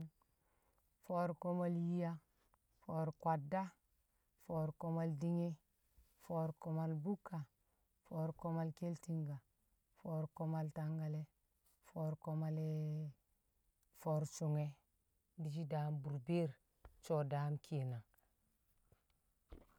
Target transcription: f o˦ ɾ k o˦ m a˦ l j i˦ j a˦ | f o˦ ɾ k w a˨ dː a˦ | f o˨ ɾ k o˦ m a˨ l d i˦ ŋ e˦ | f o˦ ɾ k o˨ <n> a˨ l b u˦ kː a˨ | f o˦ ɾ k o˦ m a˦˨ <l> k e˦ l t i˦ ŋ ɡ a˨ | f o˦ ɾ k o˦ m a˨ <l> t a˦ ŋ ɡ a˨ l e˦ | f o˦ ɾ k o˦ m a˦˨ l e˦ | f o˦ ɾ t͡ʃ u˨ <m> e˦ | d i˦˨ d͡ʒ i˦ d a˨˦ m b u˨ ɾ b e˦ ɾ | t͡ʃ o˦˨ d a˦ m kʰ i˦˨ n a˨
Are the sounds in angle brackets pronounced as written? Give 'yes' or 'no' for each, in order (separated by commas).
no, yes, yes, no